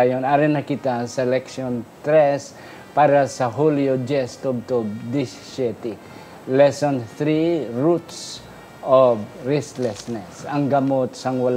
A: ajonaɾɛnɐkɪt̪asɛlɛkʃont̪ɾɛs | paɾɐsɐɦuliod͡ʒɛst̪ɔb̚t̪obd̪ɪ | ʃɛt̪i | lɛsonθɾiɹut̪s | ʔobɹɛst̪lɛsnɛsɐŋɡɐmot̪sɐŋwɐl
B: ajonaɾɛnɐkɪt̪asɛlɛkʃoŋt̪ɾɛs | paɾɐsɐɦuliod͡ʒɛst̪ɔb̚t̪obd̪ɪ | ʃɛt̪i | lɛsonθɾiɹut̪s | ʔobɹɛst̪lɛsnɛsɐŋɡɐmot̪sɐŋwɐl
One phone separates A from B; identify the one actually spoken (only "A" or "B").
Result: A